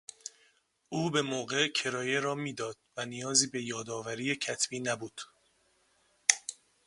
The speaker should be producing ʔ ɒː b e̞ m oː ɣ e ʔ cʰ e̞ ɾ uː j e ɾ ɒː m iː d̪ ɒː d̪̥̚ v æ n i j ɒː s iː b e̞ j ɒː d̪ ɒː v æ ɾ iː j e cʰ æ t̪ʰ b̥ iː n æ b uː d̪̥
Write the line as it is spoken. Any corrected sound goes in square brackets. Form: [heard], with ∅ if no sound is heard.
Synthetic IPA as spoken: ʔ [uː] b e̞ m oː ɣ e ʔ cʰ e̞ ɾ [ɒː] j e ɾ ɒː m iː d̪ ɒː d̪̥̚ v æ n i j ɒː [z] iː b e̞ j ɒː d̪ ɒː v æ ɾ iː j e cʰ æ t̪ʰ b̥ iː n æ b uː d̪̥